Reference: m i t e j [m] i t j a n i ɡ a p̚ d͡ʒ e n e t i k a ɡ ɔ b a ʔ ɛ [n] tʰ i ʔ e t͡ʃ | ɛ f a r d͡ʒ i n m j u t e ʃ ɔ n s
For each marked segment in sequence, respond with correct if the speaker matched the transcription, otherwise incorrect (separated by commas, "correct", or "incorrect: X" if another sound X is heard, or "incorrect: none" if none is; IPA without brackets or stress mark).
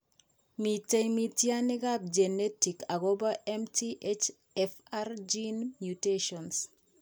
correct, incorrect: m